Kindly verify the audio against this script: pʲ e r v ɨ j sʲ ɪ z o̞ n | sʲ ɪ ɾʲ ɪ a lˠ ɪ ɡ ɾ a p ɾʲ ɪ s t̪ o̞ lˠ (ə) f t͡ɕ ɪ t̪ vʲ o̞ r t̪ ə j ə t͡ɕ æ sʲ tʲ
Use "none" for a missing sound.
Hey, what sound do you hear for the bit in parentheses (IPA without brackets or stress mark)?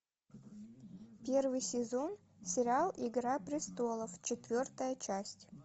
ə